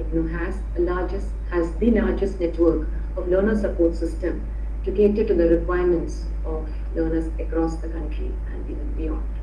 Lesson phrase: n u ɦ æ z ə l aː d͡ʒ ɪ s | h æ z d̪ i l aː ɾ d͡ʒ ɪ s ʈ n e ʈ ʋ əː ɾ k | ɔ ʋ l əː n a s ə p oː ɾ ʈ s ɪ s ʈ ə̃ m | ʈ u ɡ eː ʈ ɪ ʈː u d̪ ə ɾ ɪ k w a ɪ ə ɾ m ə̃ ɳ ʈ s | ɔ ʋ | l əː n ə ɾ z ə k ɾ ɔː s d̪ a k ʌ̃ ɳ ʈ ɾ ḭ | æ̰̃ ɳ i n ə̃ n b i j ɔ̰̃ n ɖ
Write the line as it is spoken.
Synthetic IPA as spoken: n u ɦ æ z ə l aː d͡ʒ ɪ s | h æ z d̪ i l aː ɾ d͡ʒ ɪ s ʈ n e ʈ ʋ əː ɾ k | ɔ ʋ l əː n ə s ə p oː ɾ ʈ s ɪ s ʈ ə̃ m | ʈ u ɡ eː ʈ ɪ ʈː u d̪ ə ɾ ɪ k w a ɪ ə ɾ m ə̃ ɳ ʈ s | ɔ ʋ | l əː n ə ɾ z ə k ɾ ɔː s d̪ ə k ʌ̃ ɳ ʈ ɾ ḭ | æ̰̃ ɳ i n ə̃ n b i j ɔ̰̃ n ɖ